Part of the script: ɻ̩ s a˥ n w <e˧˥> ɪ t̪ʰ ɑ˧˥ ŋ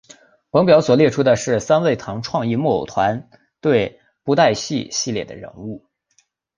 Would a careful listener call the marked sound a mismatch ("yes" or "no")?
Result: yes